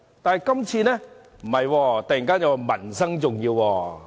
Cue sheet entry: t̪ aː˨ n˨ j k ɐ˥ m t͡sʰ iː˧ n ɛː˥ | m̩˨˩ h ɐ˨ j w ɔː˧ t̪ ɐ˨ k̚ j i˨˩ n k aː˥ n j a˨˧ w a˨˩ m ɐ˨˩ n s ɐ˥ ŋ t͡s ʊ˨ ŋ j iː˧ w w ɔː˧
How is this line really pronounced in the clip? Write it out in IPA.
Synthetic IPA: t̪ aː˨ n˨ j k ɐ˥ m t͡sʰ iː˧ n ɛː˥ | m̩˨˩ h ɐ˨ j w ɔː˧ t̪ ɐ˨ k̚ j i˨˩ ŋ k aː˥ n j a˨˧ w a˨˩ m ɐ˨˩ n s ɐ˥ ŋ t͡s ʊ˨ ŋ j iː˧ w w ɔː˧

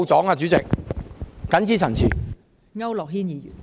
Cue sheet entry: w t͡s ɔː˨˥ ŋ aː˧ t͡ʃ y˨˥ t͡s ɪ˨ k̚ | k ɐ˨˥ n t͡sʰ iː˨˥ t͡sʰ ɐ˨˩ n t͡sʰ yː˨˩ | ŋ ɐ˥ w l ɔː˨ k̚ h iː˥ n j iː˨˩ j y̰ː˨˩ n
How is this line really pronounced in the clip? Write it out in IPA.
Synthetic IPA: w t͡s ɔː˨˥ ŋ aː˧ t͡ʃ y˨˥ t͡s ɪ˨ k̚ | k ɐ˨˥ n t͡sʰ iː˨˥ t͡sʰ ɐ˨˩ n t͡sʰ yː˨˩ | ŋ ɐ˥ w l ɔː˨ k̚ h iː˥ n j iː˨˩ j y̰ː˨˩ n

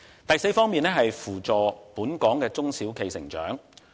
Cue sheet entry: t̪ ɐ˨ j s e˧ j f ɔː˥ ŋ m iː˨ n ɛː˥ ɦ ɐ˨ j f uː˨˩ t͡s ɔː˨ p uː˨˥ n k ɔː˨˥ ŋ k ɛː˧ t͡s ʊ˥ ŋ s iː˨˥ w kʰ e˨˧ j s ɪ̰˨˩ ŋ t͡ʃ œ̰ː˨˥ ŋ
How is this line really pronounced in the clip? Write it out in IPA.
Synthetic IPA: t̪ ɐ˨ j s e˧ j f ɔː˥ ŋ m iː˨ n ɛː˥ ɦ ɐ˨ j f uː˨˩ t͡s ɔː˨ p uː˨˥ n k ɔː˨˥ ŋ k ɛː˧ t͡s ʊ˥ ŋ s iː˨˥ w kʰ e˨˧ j s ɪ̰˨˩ ŋ t͡ʃ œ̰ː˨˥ ŋ

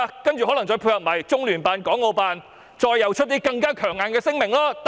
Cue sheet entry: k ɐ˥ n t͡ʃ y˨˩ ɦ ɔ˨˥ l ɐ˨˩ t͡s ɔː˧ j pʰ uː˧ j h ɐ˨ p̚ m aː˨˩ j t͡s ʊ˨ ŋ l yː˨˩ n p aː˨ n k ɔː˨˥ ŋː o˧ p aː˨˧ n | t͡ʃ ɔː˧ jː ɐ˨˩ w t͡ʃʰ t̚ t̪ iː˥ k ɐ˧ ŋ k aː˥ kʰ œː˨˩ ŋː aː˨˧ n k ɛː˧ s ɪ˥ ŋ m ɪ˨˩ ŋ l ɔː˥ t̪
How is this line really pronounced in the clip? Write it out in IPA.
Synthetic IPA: k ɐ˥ n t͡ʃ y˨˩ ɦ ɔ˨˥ l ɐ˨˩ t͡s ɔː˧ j pʰ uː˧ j h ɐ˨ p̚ m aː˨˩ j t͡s ʊ˥ ŋ l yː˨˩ n p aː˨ n k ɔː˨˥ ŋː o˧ p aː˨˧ n | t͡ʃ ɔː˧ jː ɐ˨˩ w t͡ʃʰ t̚ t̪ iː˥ k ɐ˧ ŋ k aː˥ kʰ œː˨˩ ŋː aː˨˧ n k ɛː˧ s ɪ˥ ŋ m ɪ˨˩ ŋ l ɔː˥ t̪

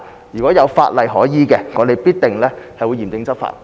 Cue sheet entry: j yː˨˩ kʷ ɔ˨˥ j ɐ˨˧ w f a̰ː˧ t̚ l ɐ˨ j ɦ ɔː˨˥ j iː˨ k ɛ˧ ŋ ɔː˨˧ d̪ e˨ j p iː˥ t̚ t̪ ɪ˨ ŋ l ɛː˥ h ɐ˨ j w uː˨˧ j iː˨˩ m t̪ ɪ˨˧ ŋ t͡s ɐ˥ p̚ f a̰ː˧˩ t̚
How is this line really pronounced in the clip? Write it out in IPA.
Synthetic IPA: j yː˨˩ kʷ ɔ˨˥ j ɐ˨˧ w f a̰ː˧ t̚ l ɐ˨ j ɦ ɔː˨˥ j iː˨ k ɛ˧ ŋ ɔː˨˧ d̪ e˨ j p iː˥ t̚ t̪ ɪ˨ ŋ l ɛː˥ h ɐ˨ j w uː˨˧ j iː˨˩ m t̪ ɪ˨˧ ŋ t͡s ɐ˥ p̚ f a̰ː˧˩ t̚

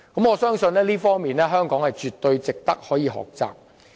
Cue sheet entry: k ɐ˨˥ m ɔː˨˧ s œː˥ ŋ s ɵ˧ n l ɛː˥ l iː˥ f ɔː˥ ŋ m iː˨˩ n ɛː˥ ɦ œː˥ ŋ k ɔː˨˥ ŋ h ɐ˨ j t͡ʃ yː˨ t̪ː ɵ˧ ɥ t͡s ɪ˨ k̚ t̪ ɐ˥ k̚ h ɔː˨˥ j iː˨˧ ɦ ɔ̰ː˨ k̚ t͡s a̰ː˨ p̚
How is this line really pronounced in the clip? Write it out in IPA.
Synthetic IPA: k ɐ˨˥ m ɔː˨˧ s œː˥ ŋ s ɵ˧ n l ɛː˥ l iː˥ f ɔː˥ ŋ m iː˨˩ n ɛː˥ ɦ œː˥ ŋ k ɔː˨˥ ŋ h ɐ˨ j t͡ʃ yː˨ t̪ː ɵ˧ ɥ t͡s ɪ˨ k̚ t̪ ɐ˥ k̚ h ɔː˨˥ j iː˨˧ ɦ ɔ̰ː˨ k̚ t͡s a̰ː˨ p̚

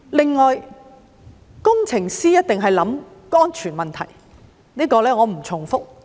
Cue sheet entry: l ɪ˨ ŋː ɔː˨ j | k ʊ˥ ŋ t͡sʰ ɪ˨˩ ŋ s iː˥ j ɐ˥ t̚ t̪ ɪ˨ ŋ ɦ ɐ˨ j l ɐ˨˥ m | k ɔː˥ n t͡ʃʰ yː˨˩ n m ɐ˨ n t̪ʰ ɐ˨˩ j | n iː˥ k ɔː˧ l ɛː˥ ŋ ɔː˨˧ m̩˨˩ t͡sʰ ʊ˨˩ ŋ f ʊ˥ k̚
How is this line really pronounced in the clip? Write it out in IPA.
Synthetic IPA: l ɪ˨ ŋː ɔː˨ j | k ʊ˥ ŋ t͡sʰ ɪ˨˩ ŋ s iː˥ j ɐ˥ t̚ t̪ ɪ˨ ŋ ɦ ɐ˨ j l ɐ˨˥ m | k ɔː˥ n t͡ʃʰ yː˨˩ n m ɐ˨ n t̪ʰ ɐ˨˩ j | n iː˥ k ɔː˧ l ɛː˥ ŋ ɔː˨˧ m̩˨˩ t͡sʰ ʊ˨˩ ŋ f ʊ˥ k̚

